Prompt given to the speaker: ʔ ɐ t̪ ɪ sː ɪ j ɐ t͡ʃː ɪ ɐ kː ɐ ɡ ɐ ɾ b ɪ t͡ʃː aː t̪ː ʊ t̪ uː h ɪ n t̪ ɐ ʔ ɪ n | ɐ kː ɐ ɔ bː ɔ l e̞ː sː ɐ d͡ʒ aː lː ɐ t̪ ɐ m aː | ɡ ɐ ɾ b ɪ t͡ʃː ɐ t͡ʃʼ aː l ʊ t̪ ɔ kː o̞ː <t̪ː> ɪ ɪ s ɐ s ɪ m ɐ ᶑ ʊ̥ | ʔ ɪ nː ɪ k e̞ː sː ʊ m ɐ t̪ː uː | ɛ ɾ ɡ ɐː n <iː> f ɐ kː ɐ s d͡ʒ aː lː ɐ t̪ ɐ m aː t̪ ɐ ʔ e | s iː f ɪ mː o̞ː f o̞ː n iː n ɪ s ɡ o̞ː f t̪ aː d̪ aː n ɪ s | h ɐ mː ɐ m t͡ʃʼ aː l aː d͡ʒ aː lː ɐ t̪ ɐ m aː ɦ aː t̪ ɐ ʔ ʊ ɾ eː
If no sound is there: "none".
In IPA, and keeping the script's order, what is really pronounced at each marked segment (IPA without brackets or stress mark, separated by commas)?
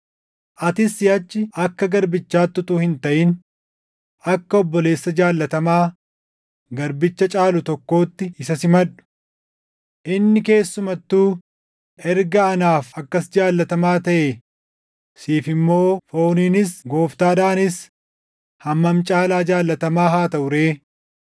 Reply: t̪ː, aː